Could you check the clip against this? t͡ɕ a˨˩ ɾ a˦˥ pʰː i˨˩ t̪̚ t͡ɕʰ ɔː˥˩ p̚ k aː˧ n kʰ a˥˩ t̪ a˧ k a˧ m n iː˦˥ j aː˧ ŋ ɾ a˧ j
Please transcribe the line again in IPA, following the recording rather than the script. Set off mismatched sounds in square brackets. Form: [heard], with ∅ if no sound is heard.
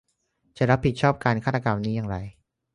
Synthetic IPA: t͡ɕ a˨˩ ɾ a˦˥ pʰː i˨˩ t̪̚ t͡ɕʰ ɔː˥˩ p̚ k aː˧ n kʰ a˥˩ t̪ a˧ k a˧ m n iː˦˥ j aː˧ ŋ ɾ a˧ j

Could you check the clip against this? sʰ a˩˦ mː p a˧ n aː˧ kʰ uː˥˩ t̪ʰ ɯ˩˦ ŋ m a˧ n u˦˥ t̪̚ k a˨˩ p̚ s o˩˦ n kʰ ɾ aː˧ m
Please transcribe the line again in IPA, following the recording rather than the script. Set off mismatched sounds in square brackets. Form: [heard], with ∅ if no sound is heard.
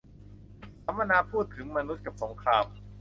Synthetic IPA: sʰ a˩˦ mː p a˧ n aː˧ [pʰ] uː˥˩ t̪ʰ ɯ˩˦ ŋ m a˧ n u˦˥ t̪̚ k a˨˩ p̚ s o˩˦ [ŋ] kʰ ɾ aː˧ m

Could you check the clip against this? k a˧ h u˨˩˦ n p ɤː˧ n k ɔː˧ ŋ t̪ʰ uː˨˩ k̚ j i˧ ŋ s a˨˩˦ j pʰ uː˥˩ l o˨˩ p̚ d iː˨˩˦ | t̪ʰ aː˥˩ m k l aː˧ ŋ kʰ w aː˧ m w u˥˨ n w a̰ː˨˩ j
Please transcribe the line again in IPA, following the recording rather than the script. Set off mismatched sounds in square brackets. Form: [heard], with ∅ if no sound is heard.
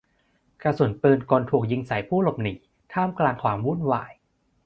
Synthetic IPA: k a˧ [s] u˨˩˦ n p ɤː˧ n k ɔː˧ [n] t̪ʰ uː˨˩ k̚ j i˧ ŋ s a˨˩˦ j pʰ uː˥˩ l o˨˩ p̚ [n] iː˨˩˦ | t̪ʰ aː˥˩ m k l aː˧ ŋ kʰ w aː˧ m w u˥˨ n w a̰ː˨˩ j

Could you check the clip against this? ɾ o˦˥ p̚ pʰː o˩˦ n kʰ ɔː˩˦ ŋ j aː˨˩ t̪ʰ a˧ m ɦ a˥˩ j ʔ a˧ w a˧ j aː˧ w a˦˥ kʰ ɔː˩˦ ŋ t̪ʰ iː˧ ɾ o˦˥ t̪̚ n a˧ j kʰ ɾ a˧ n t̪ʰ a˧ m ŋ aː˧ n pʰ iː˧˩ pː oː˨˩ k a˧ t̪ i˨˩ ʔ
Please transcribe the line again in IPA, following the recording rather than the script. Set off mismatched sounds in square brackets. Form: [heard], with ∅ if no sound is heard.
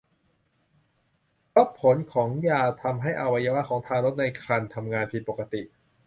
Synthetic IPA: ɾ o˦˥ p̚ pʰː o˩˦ n kʰ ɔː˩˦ ŋ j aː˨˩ t̪ʰ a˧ m ɦ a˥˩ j ʔ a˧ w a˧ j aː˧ w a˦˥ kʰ ɔː˩˦ ŋ t̪ʰ [aː˧] ɾ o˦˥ t̪̚ n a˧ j kʰ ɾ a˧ n t̪ʰ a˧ m ŋ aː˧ n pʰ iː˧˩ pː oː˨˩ k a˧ t̪ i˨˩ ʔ

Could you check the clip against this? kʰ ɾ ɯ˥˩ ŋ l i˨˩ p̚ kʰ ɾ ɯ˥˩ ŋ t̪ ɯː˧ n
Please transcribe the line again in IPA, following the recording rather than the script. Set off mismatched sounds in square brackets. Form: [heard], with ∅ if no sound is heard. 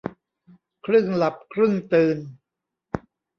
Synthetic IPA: kʰ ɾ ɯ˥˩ ŋ l [a˨˩] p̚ kʰ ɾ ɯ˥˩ ŋ t̪ ɯː˧ n

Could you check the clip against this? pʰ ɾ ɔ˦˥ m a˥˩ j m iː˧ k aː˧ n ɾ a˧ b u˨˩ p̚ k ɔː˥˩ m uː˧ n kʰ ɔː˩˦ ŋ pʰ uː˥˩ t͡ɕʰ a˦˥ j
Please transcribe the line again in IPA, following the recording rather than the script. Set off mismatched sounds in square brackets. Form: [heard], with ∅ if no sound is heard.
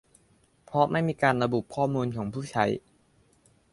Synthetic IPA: pʰ ɾ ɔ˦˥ m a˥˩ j m iː˧ k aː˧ n ɾ a˧ b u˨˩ p̚ [kʰ] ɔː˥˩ m uː˧ n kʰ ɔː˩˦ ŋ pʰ uː˥˩ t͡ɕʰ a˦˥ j

